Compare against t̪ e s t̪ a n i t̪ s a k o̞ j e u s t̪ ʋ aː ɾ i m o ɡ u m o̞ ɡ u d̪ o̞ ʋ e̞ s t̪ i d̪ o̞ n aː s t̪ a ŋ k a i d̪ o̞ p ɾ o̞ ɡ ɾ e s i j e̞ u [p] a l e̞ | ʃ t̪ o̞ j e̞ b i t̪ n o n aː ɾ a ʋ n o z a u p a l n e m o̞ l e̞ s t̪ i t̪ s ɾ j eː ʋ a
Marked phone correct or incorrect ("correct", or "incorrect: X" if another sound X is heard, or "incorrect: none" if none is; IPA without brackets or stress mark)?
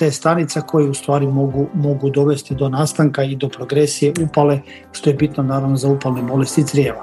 correct